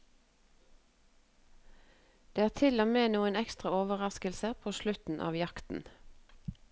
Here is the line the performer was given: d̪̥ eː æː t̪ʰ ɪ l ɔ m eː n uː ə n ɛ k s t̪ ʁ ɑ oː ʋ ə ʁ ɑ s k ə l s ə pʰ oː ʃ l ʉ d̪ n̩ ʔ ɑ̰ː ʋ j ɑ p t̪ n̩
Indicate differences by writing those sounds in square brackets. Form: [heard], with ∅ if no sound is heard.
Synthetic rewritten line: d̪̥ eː æː t̪ʰ ɪ l ɔ m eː n uː ə n ɛ k s t̪ ʁ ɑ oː ʋ ə ʁ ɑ s k ə l s ə pʰ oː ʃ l ʉ [t̪] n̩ ʔ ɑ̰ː ʋ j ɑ [k] t̪ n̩